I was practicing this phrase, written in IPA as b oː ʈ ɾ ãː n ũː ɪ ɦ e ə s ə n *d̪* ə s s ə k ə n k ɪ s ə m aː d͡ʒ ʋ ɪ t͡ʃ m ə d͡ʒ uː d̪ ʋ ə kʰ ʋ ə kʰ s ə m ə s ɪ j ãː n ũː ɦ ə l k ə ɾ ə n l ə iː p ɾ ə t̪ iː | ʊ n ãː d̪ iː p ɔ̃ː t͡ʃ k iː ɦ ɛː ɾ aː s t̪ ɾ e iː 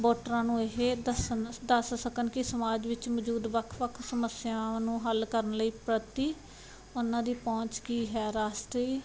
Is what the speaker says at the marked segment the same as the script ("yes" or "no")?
yes